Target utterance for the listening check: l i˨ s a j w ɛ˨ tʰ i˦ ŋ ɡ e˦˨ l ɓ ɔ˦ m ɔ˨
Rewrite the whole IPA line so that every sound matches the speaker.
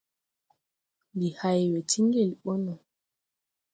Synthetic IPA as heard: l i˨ h a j w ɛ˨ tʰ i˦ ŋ ɡ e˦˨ l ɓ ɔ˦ n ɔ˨